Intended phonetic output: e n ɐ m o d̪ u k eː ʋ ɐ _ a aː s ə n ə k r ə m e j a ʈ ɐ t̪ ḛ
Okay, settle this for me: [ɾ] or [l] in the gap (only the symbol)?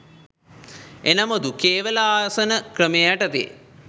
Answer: l